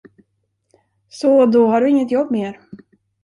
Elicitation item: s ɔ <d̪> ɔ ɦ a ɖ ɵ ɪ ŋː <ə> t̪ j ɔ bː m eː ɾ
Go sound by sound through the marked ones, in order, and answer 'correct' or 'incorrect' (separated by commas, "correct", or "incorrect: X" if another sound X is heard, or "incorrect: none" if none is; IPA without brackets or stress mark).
correct, correct